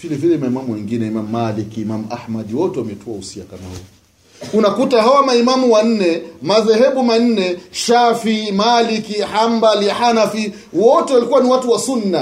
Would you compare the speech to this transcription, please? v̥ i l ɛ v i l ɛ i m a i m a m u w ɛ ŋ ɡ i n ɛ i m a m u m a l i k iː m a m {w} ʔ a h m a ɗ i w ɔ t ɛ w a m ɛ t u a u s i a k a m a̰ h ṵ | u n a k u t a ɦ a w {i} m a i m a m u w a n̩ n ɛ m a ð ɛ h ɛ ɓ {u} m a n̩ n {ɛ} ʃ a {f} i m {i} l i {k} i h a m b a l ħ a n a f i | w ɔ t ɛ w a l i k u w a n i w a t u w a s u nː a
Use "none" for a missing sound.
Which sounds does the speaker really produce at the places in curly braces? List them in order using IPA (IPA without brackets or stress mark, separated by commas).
u, a, u, ɛ, f, a, k